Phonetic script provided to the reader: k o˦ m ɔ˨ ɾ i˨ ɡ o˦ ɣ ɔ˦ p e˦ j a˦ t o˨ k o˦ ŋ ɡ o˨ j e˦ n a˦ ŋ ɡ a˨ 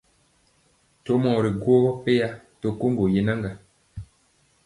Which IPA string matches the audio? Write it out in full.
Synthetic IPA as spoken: t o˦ m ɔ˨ ɾ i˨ ɡ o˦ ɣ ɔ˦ p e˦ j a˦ t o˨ k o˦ ŋ ɡ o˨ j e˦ n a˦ ŋ ɡ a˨